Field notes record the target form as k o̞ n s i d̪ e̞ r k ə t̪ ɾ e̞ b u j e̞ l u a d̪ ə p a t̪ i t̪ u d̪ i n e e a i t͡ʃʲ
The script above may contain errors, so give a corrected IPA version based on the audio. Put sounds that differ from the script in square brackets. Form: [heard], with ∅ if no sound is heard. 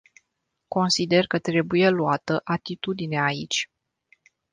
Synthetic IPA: k o̞ n s i d̪ e̞ r k ə t̪ ɾ e̞ b u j e̞ l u a [t̪] ə [ʔ] a t̪ i t̪ u d̪ i n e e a i t͡ʃʲ